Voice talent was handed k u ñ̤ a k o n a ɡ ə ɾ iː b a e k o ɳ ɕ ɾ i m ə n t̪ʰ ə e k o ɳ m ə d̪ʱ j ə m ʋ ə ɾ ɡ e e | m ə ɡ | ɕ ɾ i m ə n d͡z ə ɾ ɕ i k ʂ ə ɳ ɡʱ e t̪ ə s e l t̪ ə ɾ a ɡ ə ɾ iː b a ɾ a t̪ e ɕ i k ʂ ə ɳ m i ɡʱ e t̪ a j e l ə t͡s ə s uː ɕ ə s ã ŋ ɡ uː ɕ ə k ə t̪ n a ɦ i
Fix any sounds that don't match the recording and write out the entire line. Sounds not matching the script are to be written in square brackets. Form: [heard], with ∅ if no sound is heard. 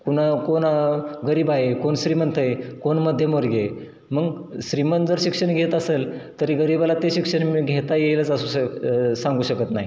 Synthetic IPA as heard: k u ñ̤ a k o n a ɡ ə ɾ iː b a e k o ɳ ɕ ɾ i m ə n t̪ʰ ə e k o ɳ m ə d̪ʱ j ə m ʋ ə ɾ ɡ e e | m ə ɡ | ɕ ɾ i m ə n d͡z ə ɾ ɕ i k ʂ ə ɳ ɡʱ e t̪ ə s e l t̪ ə ɾ [i] ɡ ə ɾ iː b a [l] a t̪ e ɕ i k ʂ ə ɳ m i ɡʱ e t̪ a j e l ə t͡s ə s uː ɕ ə s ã ŋ ɡ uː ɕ ə k ə t̪ n a ɦ i

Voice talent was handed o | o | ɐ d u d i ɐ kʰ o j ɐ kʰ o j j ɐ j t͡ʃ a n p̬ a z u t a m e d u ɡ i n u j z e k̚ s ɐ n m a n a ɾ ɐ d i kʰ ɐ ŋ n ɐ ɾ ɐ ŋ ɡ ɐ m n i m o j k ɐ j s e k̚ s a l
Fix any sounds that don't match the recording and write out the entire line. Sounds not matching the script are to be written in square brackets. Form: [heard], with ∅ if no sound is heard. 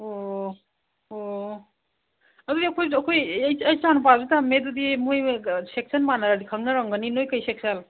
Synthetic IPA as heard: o | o | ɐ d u d i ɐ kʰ o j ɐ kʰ o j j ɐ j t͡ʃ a n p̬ a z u t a m e d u [d] i [m] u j [s] e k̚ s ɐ n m a n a ɾ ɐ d i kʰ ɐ ŋ n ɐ ɾ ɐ ŋ ɡ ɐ [∅] n i [n] o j k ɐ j s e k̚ s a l

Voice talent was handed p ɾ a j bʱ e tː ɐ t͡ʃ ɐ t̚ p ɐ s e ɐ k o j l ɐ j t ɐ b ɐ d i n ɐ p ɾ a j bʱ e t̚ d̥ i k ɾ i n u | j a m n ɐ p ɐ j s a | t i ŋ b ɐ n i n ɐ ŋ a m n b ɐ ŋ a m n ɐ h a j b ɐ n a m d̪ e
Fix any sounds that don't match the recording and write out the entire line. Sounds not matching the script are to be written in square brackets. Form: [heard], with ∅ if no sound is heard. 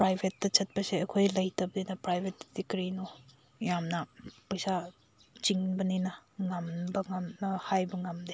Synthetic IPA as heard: p ɾ a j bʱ e tː ɐ t͡ʃ ɐ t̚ p ɐ s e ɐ [kʰ] o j l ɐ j t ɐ b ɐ d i n ɐ p ɾ a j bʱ e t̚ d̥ i k ɾ i n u | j a m n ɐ p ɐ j s a | [t͡ʃ] i ŋ b ɐ n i n ɐ ŋ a m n b ɐ ŋ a m n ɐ h a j b ɐ [ŋ] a m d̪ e

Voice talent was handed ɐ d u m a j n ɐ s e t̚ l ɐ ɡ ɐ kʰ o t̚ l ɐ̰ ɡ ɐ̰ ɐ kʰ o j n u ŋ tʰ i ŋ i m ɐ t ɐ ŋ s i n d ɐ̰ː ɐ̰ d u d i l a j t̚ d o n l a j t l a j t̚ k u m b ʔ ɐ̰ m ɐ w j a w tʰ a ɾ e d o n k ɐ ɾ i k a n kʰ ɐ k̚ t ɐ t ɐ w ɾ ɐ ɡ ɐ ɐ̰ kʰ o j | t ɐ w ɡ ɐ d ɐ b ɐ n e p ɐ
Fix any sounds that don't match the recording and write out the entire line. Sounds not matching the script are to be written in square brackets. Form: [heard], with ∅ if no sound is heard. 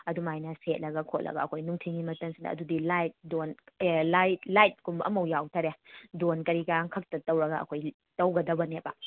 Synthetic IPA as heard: ɐ d u m a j n ɐ s e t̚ l ɐ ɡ ɐ kʰ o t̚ l ɐ̰ ɡ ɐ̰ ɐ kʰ o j n u ŋ tʰ i ŋ i m ɐ t ɐ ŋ s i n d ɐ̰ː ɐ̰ d u d i l a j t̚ d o n l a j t l a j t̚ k u m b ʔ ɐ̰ m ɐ w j a w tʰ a ɾ e d o n k ɐ ɾ i k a [ŋ] kʰ ɐ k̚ t ɐ t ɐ w ɾ ɐ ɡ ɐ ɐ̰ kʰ o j | t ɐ w ɡ ɐ d ɐ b ɐ n e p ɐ

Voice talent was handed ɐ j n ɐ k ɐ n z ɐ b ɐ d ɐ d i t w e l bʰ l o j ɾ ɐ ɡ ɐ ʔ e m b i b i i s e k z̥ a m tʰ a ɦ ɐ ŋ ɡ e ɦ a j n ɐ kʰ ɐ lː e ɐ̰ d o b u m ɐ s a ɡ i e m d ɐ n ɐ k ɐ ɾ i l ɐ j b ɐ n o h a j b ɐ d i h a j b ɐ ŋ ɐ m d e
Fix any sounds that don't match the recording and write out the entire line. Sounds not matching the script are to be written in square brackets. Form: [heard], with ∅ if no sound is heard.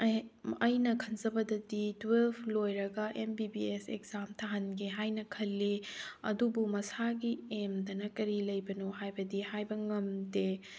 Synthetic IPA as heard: ɐ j n ɐ [kʰ] ɐ n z ɐ b ɐ d ɐ d i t w e l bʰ l o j ɾ ɐ ɡ ɐ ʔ e m b i b i [e] s e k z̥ a m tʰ a ɦ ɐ [n] ɡ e ɦ a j n ɐ kʰ ɐ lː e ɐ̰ d [u] b u m ɐ s a ɡ i e m d ɐ n ɐ k ɐ ɾ i l ɐ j b ɐ n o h a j b ɐ d i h a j b ɐ ŋ ɐ m d e

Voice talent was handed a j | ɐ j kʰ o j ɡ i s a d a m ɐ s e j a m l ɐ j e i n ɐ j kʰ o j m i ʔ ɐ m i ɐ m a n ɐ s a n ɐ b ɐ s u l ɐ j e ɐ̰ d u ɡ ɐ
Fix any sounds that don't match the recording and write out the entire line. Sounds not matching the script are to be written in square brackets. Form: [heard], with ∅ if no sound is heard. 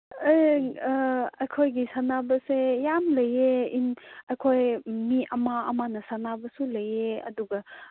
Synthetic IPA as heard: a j | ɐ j kʰ o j ɡ i s a [n] a [b] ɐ s e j a m l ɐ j e i n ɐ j kʰ o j m i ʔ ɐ m [a] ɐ m a n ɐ s a n [a] b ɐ s u l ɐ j e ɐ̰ d u ɡ ɐ

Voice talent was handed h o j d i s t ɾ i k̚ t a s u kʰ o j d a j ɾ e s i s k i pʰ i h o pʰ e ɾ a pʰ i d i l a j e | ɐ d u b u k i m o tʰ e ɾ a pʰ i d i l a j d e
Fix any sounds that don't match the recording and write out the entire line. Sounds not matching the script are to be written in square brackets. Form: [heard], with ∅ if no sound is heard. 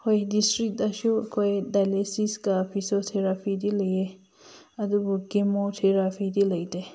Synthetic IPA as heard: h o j d i s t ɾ i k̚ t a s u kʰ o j d a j [l] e s i s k [a] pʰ i [s] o [tʰ] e ɾ a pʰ i d i l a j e | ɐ d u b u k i m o tʰ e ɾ a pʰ i d i l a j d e

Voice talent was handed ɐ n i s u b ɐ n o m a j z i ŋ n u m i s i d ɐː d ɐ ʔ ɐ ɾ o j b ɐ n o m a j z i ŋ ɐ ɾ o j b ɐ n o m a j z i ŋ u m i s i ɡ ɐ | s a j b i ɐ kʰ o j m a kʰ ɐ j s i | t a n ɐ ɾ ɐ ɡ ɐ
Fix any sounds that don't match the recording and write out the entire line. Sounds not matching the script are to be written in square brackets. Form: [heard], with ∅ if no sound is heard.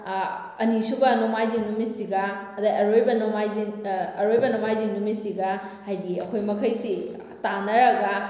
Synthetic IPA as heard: ɐ n i s u b ɐ n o m a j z i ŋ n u m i s i [ɡ] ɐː d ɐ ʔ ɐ ɾ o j b ɐ n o m a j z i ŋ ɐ ɾ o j b ɐ n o m a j z i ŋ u m i s i ɡ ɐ | [h] a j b i ɐ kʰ o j m [ɐ] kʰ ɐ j s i | t a n ɐ ɾ ɐ ɡ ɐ

